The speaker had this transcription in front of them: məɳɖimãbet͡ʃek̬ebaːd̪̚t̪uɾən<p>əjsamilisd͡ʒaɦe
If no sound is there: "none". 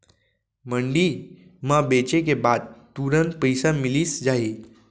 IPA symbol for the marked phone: p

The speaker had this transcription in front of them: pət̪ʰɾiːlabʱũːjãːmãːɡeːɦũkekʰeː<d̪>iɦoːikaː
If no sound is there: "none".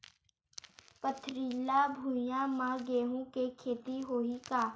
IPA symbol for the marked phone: t̪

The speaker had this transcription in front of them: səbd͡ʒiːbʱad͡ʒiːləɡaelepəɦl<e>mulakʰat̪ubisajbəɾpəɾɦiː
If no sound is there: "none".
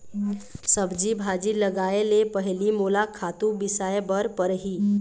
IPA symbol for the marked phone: i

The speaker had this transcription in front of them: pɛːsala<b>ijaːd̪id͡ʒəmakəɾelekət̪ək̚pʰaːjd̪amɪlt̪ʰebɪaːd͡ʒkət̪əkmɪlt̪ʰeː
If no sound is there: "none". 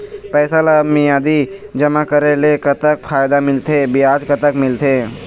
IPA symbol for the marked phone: m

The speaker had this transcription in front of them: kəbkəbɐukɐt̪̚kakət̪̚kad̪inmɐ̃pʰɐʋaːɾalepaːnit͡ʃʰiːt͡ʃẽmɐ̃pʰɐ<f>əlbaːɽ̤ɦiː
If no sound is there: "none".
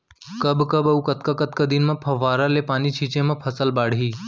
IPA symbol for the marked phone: s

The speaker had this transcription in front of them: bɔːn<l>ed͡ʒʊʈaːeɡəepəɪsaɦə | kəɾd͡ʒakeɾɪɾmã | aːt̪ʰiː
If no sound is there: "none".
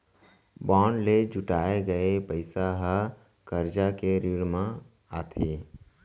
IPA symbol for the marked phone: l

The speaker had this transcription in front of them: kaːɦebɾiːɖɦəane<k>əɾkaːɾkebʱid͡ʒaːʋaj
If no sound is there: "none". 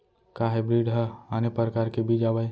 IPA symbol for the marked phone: p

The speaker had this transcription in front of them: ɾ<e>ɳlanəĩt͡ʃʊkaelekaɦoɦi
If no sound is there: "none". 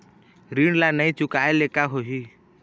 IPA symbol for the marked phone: i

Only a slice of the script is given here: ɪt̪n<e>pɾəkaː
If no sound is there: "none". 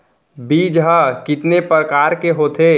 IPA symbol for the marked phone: e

